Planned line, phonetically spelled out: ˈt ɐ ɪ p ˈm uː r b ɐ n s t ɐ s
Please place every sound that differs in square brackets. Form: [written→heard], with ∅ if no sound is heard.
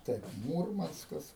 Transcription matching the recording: ˈt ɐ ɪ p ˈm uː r [b→m] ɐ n s [t→k] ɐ s